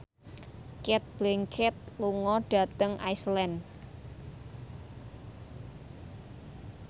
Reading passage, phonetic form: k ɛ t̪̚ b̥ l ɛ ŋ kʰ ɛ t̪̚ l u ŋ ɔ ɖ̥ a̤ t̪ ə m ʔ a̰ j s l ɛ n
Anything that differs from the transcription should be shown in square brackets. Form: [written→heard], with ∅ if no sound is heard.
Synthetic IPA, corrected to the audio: k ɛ t̪̚ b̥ l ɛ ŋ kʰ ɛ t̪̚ l u ŋ ɔ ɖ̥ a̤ t̪ ə [m→ŋ] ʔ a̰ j s l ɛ n

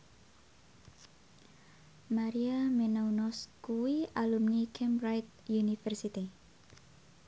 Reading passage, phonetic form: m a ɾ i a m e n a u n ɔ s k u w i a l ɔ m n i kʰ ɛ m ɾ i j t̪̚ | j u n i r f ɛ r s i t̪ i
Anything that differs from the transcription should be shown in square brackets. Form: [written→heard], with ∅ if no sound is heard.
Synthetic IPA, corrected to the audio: m a ɾ i a m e n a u n ɔ s k u w i a l [ɔ→u] m n i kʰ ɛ m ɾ [i→a] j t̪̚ | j u n i [r→∅] f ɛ r s i t̪ i

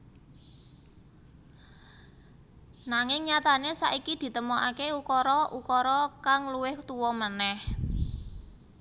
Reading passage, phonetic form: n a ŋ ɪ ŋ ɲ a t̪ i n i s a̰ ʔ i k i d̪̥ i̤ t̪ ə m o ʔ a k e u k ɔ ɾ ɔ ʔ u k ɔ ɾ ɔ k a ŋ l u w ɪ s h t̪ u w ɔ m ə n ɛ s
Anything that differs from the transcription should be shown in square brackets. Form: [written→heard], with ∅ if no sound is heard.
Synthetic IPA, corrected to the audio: n a ŋ ɪ ŋ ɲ a t̪ [i→a] n [i→e] s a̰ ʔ i k i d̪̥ i̤ t̪ ə m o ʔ a k e u k ɔ ɾ ɔ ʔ u k ɔ ɾ ɔ k a ŋ l u w ɪ [s→∅] h t̪ u w ɔ m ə n ɛ [s→h]

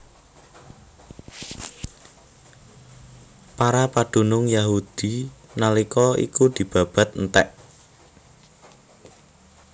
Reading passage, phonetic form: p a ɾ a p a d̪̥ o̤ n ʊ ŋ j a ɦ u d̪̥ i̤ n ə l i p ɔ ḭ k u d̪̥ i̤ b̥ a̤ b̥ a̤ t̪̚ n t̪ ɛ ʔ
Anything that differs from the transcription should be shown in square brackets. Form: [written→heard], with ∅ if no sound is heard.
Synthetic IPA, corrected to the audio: p a ɾ a p a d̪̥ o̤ n ʊ ŋ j a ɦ u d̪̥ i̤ n [ə→a] l i [p→k] ɔ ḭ k u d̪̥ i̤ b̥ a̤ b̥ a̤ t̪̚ n t̪ ɛ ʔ

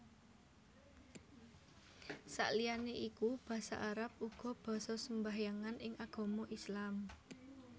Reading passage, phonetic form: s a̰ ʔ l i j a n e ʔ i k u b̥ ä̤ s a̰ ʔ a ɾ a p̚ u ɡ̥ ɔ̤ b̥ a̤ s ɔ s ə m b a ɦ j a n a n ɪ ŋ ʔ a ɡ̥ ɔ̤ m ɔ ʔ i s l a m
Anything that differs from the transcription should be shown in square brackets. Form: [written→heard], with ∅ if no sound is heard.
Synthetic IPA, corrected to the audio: s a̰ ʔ l i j a n e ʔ i k u b̥ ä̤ s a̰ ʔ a ɾ a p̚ u ɡ̥ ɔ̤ b̥ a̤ s ɔ s ə m b a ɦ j a [n→ŋ] a n ɪ ŋ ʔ a ɡ̥ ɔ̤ m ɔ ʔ i s l a m

